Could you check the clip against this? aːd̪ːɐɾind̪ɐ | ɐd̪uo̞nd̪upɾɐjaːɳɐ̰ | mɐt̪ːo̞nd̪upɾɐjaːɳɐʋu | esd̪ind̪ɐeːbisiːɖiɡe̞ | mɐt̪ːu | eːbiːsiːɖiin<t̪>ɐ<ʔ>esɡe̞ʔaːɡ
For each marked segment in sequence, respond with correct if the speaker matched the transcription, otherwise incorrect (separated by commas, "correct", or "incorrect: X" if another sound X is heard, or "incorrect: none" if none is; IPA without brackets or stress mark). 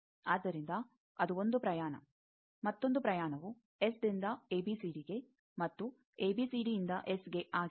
incorrect: d̪, correct